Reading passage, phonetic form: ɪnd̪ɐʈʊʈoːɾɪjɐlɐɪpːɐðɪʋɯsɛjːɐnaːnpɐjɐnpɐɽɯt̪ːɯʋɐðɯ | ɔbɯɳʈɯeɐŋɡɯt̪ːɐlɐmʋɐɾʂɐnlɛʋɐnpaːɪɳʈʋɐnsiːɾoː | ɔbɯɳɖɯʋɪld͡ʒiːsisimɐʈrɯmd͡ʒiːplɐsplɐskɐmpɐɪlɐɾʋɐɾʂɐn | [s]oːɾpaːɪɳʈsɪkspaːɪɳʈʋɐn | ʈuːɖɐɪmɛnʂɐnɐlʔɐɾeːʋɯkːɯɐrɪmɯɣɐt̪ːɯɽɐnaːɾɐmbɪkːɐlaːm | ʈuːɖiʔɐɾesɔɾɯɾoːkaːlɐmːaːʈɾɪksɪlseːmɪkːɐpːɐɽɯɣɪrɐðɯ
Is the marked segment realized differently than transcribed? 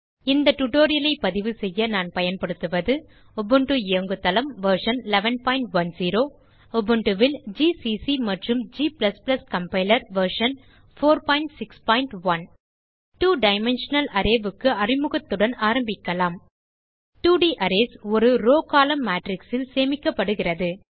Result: yes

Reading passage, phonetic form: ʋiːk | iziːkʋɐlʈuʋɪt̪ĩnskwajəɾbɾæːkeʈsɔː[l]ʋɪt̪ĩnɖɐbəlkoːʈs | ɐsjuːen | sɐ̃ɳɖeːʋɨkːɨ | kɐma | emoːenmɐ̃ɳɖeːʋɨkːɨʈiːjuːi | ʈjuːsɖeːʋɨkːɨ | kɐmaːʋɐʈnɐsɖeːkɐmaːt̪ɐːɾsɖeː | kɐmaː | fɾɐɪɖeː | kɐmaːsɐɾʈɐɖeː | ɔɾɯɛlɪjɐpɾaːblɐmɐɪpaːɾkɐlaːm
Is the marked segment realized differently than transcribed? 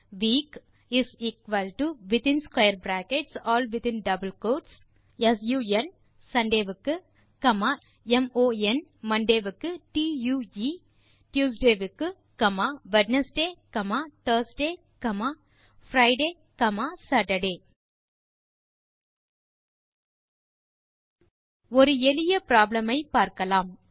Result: no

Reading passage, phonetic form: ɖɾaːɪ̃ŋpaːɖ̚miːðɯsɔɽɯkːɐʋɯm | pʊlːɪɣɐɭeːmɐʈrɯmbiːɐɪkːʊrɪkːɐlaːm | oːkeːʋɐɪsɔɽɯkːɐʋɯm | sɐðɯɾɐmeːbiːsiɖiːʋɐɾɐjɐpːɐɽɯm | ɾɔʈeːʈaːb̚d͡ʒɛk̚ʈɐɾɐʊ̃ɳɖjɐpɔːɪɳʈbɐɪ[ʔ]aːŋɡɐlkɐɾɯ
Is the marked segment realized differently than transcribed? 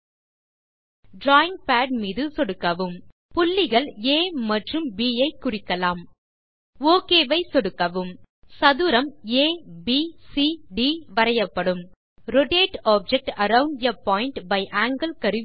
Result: no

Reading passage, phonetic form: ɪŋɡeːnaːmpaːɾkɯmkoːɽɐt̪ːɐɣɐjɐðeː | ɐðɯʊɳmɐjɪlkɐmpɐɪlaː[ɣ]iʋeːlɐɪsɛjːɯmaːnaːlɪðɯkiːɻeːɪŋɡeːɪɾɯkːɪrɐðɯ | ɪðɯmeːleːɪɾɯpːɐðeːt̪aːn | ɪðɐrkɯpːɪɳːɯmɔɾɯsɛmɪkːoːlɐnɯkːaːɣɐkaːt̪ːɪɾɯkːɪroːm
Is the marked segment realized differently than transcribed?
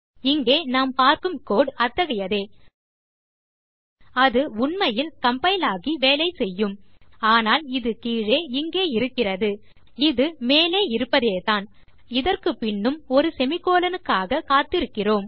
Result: no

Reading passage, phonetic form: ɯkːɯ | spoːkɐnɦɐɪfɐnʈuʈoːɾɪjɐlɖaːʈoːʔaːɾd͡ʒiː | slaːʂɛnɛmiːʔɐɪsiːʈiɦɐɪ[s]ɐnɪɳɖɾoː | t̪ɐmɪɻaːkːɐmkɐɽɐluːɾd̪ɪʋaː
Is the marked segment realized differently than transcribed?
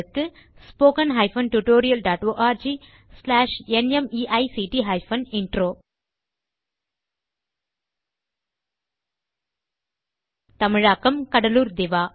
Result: yes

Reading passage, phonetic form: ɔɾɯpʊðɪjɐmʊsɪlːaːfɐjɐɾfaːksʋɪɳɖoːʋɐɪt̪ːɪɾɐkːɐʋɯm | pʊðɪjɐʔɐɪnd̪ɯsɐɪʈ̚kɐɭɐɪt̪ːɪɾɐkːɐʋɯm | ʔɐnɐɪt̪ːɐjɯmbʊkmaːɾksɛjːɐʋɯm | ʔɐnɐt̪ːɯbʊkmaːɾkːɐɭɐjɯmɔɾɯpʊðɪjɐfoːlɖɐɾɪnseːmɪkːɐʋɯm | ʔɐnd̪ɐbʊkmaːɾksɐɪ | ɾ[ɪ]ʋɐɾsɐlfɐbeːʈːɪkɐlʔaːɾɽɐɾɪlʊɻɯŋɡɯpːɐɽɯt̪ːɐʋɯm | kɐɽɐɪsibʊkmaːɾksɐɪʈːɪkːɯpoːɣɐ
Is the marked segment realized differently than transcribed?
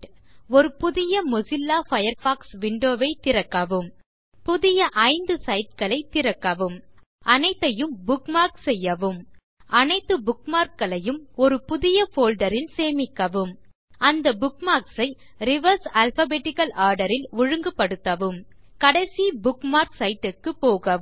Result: no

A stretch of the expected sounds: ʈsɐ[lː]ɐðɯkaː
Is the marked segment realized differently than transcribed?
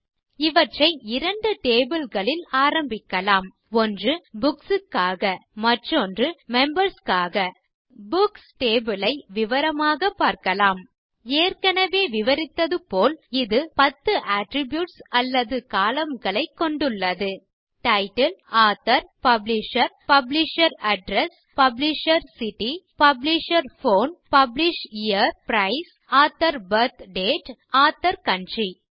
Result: no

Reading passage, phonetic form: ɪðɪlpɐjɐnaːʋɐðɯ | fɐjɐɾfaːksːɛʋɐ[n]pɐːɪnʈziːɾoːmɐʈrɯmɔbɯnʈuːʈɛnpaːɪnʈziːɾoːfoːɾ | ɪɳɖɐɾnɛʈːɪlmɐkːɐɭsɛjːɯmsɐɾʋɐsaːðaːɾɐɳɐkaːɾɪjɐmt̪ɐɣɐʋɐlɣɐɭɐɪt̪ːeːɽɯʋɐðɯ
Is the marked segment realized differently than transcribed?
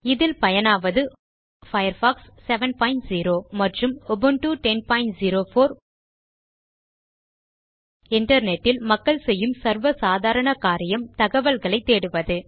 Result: no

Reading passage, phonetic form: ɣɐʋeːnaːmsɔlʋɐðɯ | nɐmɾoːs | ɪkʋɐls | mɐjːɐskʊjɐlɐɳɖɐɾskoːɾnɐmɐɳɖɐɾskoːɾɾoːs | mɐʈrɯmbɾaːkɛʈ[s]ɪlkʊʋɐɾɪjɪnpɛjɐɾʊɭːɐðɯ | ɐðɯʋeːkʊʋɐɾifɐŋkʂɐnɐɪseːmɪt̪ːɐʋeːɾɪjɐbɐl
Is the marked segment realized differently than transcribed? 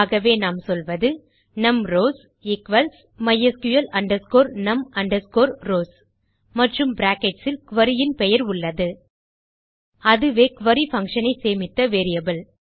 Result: no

